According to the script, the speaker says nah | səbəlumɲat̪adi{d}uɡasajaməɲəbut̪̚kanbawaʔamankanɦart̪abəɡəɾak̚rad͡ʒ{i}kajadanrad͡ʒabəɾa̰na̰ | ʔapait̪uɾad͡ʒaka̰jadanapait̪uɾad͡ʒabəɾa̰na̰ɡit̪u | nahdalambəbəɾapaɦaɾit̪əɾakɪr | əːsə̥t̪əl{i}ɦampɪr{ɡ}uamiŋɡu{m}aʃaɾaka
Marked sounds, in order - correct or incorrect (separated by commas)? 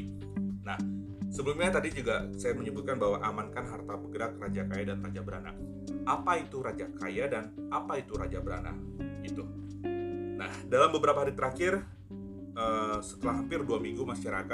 incorrect, incorrect, incorrect, incorrect, correct